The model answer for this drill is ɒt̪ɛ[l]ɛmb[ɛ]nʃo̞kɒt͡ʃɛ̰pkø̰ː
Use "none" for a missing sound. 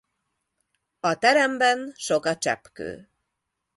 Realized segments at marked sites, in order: ɾ, ɛ

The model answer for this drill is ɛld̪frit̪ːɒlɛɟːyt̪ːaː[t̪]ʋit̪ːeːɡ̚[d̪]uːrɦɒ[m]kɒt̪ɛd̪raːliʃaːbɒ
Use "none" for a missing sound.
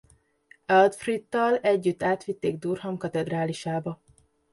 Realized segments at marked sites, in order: t̪, d̪, m

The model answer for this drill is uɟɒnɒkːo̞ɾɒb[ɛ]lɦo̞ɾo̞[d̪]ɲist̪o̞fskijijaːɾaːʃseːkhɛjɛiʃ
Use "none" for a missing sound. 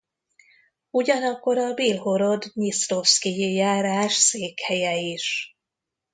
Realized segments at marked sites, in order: i, d̪

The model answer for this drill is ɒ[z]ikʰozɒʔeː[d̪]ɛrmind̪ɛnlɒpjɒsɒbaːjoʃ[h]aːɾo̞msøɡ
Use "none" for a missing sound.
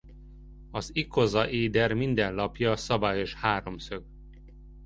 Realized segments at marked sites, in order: z, d̪, h

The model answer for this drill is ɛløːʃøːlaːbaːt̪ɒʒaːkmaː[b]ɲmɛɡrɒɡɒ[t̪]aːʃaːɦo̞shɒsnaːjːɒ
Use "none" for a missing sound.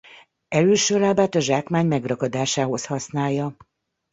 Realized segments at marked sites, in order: none, d̪

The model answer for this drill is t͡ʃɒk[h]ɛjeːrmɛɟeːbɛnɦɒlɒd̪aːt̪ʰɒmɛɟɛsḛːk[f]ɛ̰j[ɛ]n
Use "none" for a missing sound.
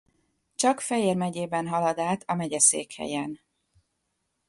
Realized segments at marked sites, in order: f, h, ɛ

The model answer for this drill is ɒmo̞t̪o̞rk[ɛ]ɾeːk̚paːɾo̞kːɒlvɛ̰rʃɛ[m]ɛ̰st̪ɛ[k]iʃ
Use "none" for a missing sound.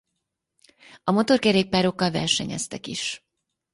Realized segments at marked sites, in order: ɛ, ɲ, k

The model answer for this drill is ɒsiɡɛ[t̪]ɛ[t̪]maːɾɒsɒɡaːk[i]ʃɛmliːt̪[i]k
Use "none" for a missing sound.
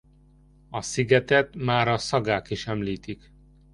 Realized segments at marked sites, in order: t̪, t̪, i, i

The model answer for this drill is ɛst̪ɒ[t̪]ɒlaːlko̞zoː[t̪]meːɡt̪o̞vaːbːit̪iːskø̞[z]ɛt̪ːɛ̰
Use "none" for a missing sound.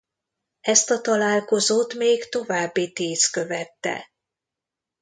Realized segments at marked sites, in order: t̪, t̪, v

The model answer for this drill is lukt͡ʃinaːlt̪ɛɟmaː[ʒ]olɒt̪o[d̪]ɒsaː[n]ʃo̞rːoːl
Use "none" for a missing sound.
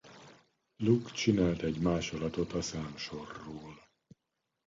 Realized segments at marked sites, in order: ʃ, t̪, m

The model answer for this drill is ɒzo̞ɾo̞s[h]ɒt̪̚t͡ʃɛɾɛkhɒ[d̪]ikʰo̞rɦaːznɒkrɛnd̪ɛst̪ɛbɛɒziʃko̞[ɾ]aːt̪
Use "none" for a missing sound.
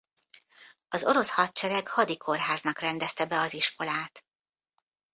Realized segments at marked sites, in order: h, d̪, l

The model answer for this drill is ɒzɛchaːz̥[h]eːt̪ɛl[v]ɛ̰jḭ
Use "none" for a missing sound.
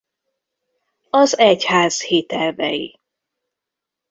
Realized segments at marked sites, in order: h, v

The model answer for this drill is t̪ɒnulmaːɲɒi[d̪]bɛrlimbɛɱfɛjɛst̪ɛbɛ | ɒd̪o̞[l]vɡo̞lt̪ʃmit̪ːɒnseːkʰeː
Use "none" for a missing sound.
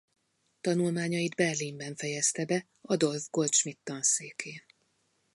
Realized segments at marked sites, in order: d̪, l

